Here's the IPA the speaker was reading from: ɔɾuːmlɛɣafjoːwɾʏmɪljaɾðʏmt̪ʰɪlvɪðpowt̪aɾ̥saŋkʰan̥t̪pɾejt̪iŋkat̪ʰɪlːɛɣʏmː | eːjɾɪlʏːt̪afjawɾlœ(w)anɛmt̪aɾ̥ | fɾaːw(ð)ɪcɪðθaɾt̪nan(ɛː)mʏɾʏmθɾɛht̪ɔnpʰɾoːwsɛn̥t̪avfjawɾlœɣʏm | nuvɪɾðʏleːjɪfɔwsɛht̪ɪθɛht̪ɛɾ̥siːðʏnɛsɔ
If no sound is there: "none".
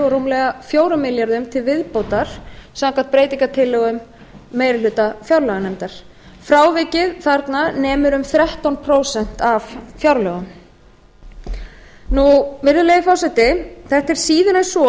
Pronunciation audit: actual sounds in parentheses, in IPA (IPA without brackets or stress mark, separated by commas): ɣ, v, ɛː